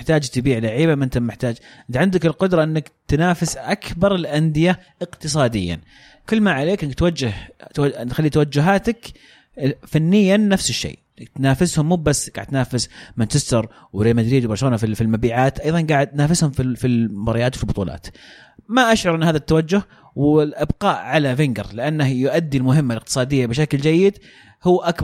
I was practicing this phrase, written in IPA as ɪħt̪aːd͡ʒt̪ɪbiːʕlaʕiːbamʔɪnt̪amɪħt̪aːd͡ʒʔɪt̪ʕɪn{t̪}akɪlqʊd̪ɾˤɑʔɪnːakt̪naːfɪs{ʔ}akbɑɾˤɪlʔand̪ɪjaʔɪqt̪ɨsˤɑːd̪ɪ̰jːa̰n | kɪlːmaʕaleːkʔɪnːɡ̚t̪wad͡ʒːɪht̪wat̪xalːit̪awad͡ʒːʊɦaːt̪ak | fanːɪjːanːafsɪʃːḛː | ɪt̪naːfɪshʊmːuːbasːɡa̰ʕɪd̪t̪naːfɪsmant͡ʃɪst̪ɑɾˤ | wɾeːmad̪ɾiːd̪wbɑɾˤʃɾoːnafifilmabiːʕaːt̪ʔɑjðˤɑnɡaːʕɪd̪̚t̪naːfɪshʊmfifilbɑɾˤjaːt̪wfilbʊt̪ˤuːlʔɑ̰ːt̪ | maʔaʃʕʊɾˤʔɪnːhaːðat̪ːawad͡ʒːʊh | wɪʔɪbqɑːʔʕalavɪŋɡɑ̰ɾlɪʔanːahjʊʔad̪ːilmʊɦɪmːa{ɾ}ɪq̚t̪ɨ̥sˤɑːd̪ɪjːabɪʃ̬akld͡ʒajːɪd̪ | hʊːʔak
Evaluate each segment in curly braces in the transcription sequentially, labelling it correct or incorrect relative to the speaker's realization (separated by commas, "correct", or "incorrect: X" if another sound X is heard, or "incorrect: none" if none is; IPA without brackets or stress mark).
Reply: incorrect: d̪, correct, incorrect: l